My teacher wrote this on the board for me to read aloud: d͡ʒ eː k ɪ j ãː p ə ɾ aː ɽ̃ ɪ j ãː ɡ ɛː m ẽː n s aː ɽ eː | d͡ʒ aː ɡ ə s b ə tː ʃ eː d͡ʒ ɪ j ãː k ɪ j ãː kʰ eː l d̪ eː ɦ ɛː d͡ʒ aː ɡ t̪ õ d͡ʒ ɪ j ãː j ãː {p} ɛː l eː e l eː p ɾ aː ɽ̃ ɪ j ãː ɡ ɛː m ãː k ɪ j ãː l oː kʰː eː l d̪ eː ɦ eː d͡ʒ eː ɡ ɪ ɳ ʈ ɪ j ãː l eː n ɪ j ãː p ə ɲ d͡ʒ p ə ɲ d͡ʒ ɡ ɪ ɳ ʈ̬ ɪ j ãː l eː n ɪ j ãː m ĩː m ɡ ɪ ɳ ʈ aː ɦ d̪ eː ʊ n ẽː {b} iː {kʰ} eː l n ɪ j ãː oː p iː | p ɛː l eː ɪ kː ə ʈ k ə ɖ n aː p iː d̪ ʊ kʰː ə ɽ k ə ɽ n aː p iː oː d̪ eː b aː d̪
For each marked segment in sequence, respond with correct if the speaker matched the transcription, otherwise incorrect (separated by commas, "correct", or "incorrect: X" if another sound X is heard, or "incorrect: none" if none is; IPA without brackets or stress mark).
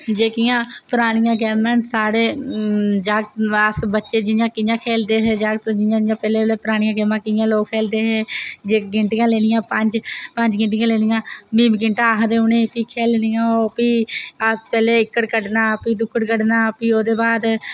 correct, incorrect: p, correct